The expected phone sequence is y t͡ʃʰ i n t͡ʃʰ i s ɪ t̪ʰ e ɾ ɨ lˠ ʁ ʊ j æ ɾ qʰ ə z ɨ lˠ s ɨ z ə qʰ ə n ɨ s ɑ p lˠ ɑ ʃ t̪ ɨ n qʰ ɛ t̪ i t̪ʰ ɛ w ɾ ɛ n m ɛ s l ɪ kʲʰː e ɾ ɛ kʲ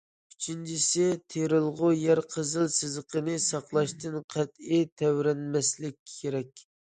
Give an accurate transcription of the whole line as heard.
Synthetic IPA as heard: y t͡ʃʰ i n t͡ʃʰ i s ɪ t̪ʰ e ɾ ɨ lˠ ʁ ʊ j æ ɾ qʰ ə z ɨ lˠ s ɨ z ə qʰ ə n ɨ s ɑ q lˠ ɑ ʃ t̪ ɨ n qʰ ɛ t̪ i t̪ʰ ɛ w ɾ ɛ n m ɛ s l ɪ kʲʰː e ɾ ɛ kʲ